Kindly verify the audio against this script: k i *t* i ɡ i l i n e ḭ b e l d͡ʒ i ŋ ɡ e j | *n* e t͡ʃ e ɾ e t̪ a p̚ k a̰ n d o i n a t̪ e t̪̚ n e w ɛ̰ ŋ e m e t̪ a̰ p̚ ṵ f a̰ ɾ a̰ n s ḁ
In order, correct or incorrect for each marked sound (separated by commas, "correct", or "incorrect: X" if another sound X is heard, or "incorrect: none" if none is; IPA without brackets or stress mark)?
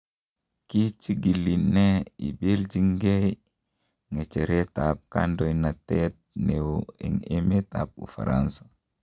incorrect: t͡ʃ, incorrect: ŋ